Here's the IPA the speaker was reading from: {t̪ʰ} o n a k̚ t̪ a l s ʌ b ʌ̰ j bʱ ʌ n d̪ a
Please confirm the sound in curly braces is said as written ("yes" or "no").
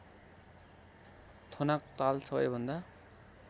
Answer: yes